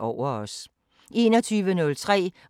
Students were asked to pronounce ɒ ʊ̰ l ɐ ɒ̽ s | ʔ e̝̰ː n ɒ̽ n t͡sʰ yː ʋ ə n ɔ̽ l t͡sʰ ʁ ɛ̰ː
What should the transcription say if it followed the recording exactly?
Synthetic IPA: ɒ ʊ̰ ɐ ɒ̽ s | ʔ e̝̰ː n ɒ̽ t͡sʰ yː ʋ ə n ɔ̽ l t͡sʰ ʁ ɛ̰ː